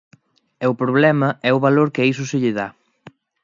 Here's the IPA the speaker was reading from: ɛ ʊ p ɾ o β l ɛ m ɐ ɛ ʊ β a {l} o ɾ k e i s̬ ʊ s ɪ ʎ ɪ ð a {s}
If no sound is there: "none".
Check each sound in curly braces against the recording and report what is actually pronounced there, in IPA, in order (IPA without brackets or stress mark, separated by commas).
l, none